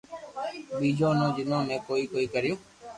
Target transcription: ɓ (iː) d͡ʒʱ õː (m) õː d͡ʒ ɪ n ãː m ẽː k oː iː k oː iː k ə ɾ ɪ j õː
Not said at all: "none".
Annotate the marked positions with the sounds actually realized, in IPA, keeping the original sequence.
iː, n

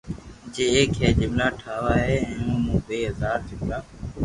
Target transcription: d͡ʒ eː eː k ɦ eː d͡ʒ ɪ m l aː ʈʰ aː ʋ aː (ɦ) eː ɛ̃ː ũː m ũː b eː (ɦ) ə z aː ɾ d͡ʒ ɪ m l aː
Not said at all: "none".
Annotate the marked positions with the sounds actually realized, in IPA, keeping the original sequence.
ɦ, ɦ

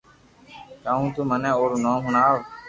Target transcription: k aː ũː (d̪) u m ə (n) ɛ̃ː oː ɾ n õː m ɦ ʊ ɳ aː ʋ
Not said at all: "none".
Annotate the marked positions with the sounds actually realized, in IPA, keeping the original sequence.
t̪, n

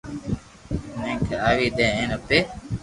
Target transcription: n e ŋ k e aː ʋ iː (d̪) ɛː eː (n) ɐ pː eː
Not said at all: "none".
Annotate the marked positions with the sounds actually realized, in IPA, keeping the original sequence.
d̪, n

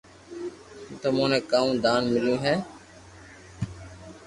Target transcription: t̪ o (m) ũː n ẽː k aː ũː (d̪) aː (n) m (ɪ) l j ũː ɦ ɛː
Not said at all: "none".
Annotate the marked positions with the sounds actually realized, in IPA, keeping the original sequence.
m, d̪, n, ɪ

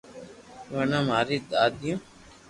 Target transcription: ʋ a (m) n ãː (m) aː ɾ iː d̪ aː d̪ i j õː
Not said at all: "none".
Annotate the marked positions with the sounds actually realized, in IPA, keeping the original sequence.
none, m

